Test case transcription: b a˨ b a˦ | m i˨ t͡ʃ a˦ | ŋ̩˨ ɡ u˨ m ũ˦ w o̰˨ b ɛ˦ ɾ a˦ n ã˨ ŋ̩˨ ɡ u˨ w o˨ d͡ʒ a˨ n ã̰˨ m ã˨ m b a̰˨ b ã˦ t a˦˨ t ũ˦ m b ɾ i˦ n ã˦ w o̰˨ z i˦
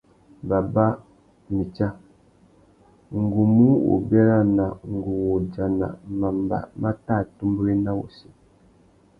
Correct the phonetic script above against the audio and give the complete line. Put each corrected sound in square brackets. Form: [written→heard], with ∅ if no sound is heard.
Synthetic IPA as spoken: b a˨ b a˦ | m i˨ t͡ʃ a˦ | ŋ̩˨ ɡ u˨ m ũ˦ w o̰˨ b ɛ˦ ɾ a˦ n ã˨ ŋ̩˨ ɡ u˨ w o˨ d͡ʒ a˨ n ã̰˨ m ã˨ m b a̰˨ [b→m] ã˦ t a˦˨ t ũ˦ m b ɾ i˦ n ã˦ w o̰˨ [z→s] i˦